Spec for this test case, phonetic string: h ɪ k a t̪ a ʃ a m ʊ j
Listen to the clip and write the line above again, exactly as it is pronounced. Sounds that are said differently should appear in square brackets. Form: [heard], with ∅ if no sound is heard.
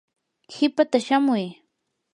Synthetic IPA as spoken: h ɪ [p] a t̪ a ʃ a m ʊ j